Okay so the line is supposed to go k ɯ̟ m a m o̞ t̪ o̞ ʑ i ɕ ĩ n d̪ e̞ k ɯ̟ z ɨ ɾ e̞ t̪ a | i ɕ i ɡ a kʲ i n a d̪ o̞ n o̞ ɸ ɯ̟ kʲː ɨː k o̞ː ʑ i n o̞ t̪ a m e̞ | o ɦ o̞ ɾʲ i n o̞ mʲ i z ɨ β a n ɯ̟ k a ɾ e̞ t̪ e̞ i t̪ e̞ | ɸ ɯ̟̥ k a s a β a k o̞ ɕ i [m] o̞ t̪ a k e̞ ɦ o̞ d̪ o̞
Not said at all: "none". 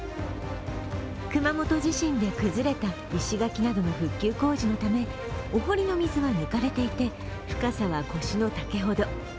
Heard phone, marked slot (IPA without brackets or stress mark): n